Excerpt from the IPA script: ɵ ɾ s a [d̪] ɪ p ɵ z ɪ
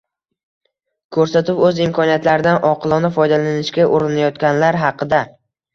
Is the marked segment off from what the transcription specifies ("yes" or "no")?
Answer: yes